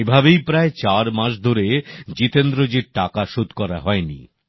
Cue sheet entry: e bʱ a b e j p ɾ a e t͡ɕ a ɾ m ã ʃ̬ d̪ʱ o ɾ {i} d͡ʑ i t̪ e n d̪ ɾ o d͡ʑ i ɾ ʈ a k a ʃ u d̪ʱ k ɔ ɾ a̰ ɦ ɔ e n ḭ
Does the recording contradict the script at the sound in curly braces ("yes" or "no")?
yes